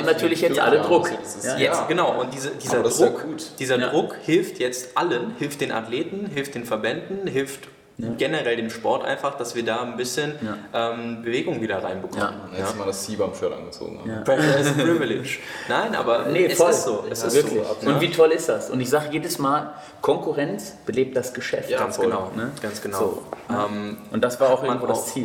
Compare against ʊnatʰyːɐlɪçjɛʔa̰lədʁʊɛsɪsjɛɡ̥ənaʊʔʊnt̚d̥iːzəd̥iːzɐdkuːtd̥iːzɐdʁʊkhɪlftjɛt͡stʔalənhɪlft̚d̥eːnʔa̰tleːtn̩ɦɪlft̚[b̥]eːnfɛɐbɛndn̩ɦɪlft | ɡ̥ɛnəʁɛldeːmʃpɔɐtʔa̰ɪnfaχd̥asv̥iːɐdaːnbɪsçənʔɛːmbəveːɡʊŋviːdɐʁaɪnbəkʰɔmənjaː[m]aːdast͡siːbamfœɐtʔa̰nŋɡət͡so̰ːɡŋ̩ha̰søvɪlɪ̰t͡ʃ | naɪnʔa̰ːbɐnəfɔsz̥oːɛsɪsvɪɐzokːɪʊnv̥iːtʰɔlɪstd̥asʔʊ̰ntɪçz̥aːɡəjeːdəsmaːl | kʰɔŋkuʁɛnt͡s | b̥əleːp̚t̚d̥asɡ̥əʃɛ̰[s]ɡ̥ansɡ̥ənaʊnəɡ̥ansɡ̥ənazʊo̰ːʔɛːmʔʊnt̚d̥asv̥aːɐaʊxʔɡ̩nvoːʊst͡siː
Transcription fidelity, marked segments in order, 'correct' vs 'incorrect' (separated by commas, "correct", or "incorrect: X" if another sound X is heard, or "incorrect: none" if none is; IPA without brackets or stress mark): incorrect: d̥, correct, incorrect: f